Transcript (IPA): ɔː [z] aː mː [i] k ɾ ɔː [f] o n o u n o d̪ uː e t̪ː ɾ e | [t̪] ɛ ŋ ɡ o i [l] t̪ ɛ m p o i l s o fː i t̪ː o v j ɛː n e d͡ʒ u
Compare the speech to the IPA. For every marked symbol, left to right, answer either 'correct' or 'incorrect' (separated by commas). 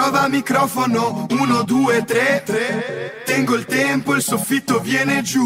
incorrect, correct, correct, correct, correct